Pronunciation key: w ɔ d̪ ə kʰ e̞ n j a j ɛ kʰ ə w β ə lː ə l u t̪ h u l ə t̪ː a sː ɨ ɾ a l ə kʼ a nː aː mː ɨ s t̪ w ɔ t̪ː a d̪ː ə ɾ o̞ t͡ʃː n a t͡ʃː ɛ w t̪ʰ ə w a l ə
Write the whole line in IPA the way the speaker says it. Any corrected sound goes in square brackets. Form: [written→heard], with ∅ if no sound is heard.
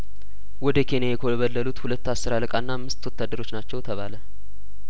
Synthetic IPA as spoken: w ɔ d̪ ə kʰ e̞ n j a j ɛ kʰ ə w β ə lː ə l u t̪ h u l ə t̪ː a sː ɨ ɾ a l ə kʼ a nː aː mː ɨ s t̪ w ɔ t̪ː a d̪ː ə ɾ o̞ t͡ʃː n a t͡ʃː ɛ w t̪ʰ ə [w→β] a l ə